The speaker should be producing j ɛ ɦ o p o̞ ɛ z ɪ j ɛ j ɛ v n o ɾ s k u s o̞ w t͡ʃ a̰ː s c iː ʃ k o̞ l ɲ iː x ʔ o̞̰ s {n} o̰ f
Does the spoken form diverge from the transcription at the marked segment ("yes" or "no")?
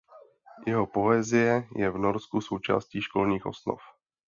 no